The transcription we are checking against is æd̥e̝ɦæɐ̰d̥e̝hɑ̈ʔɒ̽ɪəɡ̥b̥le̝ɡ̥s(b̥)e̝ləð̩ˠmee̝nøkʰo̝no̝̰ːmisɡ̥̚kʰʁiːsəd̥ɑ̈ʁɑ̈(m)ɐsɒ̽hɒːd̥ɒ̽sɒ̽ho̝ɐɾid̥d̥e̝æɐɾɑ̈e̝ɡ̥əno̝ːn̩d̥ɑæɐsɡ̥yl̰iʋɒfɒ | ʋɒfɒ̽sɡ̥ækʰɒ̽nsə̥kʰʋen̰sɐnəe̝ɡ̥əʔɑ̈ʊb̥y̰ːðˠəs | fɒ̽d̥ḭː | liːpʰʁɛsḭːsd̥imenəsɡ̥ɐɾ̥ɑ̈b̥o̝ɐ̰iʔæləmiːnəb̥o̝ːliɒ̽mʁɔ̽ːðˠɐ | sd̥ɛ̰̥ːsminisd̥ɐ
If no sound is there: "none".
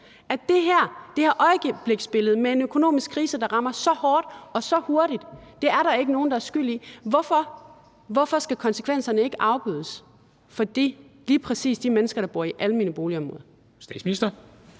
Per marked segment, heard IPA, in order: b̥, m

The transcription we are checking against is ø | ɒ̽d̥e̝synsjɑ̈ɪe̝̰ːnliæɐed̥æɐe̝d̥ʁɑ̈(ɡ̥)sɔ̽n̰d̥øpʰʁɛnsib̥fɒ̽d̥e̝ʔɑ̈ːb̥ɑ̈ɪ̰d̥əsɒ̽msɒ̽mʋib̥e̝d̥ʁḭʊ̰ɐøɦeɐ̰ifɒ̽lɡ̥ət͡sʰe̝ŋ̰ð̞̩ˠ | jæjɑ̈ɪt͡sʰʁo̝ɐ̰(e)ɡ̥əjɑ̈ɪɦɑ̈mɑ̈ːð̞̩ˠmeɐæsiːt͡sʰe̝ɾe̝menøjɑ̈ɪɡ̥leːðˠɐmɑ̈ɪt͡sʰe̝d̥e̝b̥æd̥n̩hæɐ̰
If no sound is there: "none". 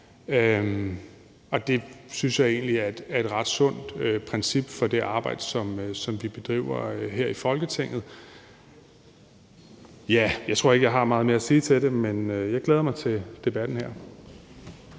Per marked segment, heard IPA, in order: d̥, e

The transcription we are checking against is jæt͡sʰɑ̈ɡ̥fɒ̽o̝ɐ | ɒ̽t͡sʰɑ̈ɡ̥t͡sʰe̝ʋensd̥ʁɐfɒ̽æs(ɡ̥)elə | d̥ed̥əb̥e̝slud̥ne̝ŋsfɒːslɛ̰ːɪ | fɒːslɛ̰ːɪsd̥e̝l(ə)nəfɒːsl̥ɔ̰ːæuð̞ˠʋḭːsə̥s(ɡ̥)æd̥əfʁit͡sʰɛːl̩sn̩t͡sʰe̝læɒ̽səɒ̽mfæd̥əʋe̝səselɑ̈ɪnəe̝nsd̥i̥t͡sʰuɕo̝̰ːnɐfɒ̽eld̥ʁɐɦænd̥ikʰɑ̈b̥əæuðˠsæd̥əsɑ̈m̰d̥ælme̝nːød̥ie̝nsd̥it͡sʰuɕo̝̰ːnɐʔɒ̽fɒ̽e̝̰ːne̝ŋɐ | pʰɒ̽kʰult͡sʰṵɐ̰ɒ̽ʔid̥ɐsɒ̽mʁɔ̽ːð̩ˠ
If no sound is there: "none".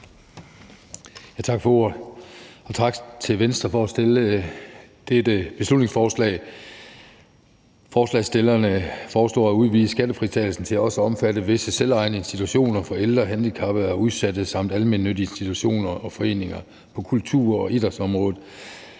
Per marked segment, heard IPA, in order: d̥, ɐ, ɡ̥

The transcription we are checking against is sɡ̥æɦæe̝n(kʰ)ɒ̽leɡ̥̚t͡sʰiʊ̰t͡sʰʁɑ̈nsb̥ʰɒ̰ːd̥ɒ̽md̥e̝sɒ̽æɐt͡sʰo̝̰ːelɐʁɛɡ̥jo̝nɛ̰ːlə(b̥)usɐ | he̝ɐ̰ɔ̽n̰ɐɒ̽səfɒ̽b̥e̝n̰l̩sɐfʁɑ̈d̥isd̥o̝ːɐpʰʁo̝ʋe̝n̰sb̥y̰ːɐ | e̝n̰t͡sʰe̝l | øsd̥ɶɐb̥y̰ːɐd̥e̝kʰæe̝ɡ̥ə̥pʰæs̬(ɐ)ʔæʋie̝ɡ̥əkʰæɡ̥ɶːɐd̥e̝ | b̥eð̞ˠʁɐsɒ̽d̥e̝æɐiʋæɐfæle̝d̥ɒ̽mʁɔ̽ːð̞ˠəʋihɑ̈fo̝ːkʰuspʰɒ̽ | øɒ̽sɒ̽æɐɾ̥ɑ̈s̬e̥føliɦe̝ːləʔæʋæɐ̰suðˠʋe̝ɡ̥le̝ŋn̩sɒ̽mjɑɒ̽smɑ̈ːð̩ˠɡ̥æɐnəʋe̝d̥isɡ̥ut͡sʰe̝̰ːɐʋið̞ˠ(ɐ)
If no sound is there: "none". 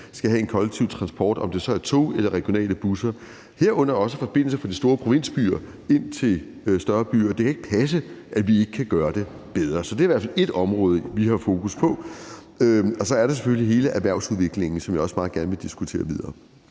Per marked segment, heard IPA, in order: kʰ, b̥, ə, ɐː

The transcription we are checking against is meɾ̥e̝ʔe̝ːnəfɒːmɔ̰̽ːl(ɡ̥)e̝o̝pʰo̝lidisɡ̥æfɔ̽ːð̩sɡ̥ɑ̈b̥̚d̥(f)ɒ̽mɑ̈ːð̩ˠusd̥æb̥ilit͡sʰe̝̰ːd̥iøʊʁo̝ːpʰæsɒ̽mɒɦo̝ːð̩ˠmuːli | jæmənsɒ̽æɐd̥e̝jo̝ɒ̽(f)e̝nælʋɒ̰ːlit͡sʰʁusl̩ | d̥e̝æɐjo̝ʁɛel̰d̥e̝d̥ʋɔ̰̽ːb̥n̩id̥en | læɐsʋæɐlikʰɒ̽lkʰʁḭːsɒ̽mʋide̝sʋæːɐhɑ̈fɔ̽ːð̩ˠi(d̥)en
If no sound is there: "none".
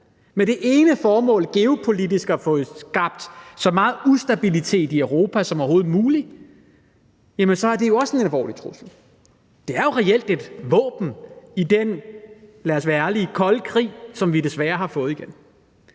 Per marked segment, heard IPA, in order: ɡ̥, s, s, ɡ̥

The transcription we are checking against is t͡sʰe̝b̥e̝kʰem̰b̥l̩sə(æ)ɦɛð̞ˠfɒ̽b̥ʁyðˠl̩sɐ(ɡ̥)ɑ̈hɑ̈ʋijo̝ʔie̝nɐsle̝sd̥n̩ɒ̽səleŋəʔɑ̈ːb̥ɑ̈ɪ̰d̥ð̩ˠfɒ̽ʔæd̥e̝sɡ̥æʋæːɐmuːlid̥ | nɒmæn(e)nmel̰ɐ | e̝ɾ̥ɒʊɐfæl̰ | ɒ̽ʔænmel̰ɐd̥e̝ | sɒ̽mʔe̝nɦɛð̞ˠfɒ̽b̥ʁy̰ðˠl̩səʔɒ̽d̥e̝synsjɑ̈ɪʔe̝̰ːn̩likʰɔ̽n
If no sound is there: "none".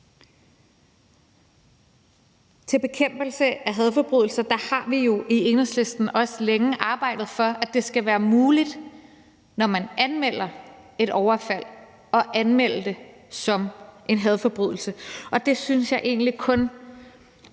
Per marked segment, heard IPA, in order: æ, d̥, æ

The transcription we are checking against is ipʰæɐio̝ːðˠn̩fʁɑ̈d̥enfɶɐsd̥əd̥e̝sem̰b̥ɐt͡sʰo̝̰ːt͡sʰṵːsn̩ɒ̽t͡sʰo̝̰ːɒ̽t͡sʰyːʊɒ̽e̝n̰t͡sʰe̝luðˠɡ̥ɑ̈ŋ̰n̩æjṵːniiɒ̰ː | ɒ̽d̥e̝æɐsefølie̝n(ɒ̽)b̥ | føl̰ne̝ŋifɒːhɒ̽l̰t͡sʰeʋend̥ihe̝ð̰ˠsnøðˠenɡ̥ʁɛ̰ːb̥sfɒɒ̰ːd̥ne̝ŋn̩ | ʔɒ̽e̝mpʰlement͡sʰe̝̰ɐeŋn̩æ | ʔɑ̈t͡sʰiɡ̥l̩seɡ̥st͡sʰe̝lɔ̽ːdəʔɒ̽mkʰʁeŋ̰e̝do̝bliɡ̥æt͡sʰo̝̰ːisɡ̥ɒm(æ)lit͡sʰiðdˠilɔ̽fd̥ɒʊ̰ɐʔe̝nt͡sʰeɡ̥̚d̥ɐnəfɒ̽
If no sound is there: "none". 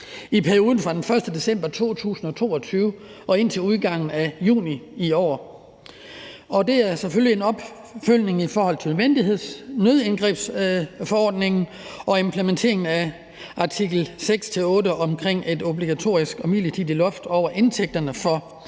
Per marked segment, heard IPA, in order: ɒ̽, i

